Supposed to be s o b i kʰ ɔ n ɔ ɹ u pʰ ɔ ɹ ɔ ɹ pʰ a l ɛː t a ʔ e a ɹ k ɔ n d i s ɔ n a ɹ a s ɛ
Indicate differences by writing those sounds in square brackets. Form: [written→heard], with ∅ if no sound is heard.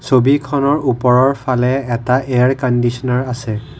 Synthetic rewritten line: s o b i kʰ ɔ n ɔ ɹ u [pʰ→p] ɔ ɹ ɔ ɹ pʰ a l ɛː t a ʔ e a ɹ k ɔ n d i s ɔ n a ɹ a s ɛ